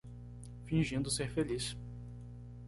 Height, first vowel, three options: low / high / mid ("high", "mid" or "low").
high